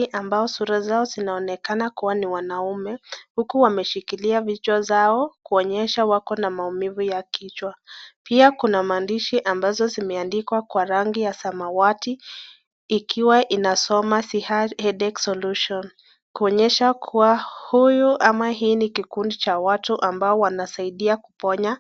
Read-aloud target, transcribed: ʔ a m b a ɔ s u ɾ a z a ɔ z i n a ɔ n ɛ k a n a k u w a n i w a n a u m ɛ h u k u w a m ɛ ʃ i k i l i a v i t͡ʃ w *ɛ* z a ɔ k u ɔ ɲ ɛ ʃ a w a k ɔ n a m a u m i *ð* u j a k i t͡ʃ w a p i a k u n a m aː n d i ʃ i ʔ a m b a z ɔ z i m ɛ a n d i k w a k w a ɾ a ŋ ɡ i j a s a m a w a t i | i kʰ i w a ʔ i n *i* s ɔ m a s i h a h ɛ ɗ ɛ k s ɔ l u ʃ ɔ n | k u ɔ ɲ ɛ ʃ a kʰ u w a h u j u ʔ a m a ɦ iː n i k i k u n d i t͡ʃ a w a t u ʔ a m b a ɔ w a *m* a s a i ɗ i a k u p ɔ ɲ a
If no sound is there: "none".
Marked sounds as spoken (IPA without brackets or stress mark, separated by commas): a, v, a, n